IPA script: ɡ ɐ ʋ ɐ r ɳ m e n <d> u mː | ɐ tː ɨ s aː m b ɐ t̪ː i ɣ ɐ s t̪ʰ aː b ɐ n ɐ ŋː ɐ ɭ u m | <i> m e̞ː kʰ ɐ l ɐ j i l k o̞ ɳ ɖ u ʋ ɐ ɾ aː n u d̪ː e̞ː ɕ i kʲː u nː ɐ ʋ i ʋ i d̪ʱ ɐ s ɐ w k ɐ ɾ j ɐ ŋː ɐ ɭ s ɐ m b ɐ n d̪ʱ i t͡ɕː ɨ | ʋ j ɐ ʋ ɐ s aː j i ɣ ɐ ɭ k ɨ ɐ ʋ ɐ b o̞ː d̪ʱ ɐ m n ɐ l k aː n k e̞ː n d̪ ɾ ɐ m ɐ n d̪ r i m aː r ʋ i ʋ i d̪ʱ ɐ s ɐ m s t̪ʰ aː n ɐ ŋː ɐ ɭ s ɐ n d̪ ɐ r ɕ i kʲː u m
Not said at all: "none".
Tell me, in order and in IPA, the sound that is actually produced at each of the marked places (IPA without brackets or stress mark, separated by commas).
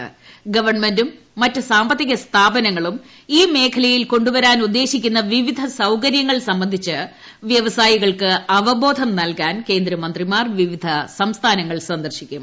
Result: d, iː